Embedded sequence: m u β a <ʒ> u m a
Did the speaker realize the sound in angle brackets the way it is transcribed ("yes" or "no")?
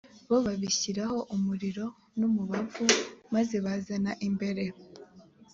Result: no